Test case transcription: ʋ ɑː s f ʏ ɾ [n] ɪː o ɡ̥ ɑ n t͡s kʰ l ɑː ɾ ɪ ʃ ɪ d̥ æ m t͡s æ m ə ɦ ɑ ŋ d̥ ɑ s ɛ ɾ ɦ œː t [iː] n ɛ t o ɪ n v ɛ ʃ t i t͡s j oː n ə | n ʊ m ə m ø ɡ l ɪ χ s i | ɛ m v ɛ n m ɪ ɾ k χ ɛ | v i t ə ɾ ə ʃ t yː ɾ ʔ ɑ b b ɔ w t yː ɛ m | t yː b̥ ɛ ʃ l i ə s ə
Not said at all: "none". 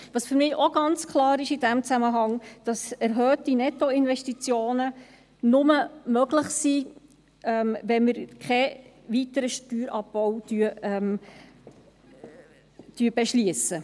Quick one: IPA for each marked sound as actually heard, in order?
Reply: m, i

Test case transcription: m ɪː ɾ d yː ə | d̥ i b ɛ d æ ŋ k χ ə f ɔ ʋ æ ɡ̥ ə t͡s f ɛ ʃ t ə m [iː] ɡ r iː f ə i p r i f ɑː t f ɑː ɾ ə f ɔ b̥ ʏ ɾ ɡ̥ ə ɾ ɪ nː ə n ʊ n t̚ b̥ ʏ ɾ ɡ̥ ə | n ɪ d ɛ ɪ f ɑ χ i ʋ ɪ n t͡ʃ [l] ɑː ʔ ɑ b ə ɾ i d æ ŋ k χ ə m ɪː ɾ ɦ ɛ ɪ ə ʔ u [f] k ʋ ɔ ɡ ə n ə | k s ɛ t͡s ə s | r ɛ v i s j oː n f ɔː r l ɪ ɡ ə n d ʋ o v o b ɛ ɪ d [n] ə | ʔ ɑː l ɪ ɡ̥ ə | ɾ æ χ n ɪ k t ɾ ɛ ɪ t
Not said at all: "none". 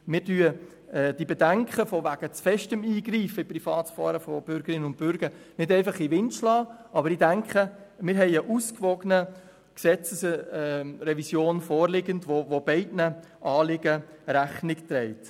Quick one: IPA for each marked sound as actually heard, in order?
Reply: iː, l, s, n

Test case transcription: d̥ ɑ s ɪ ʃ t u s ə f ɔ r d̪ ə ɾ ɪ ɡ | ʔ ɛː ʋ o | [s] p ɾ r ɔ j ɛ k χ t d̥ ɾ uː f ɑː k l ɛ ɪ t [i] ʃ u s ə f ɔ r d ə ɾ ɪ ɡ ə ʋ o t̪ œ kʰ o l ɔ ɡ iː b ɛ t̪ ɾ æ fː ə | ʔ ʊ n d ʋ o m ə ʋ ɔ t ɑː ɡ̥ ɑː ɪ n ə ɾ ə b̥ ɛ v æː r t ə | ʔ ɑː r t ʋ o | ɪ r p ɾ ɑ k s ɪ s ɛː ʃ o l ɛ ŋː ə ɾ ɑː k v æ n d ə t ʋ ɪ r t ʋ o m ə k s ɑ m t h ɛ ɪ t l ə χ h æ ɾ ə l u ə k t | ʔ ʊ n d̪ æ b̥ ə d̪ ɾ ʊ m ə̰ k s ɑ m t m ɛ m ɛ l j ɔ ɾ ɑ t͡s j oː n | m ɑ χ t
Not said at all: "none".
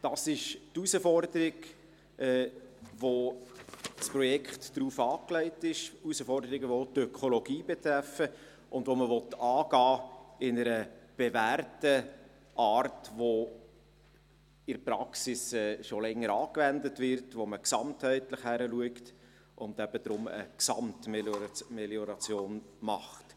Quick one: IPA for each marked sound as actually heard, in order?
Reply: s, ɪ

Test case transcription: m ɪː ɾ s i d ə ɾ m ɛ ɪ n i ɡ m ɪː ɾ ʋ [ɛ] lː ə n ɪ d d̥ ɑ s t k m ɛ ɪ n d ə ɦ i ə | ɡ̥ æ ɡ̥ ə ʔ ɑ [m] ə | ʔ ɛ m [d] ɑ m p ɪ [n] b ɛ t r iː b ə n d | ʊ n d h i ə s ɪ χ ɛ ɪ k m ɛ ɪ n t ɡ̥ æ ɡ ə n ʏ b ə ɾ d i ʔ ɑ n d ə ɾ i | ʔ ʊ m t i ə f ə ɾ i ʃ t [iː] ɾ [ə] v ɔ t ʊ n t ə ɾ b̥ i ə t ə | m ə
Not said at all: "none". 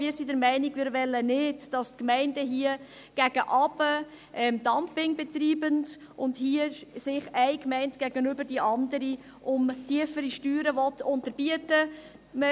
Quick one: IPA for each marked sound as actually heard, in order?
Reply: ɛ, b, d, ŋ, yː, ə

